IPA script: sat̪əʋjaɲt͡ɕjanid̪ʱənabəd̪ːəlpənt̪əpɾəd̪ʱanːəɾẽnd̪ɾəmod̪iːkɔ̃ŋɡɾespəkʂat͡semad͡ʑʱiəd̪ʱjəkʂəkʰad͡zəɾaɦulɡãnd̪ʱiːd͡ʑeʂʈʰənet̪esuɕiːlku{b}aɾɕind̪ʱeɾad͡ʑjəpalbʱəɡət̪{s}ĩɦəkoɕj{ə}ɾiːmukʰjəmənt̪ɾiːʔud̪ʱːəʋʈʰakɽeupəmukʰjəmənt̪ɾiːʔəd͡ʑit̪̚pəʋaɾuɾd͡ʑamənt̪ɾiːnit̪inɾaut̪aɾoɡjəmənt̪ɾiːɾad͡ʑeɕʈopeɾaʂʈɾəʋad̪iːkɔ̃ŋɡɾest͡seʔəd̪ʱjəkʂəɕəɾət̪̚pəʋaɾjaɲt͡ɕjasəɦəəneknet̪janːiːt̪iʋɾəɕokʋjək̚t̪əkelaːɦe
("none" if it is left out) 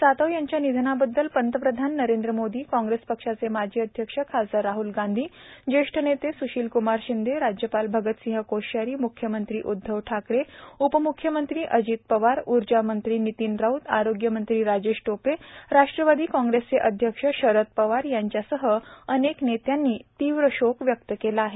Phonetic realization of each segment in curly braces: m, s, a

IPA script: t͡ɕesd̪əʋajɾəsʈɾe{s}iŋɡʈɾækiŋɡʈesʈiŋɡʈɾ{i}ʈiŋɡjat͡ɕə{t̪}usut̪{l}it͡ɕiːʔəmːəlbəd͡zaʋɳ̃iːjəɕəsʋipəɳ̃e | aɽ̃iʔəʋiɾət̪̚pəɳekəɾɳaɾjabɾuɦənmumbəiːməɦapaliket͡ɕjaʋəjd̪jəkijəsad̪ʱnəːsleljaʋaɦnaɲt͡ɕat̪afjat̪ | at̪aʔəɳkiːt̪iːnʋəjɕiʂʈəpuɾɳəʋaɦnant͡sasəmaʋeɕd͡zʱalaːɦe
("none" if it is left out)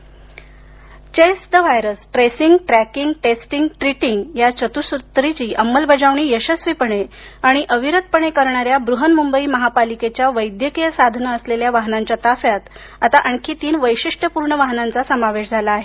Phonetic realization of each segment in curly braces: s, i, t̪, ɾ

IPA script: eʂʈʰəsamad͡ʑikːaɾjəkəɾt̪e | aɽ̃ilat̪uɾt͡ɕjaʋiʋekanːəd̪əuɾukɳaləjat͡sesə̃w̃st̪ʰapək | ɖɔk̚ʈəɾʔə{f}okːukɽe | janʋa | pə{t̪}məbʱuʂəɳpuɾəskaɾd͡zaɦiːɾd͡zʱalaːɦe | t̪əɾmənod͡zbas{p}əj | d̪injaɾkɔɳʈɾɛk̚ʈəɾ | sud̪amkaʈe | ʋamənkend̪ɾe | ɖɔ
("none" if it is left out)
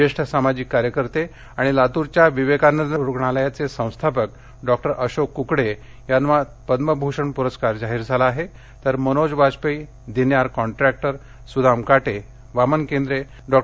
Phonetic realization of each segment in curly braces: ɕ, d̪, p

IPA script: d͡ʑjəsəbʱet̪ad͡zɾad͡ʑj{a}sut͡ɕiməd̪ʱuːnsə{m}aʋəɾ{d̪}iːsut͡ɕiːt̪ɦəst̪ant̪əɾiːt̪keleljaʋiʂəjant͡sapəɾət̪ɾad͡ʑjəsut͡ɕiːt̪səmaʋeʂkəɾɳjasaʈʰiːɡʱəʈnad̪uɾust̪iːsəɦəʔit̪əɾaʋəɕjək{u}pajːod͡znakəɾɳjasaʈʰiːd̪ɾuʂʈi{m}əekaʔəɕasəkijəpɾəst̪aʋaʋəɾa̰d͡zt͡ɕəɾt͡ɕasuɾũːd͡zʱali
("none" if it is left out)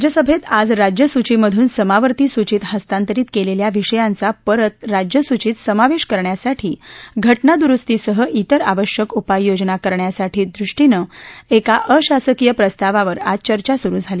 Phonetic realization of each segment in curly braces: ə, m, t̪, u, n

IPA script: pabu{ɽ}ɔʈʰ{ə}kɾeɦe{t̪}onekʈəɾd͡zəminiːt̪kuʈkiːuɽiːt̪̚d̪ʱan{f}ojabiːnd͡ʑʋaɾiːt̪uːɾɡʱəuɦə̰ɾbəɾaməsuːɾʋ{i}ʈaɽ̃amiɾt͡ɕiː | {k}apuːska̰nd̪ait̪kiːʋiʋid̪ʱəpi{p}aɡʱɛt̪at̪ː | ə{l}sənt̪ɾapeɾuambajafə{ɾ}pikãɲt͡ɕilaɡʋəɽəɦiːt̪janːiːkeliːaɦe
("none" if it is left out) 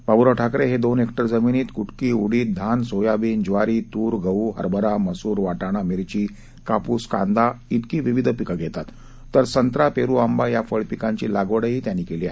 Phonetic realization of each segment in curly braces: ɾ, a, d̪, s, a, k, k, ɾ, ɭ

